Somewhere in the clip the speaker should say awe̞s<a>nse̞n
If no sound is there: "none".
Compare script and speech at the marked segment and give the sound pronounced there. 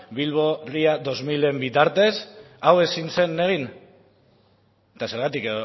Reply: i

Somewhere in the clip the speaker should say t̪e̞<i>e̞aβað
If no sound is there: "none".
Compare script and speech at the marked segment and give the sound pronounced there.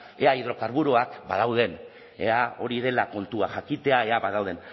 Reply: a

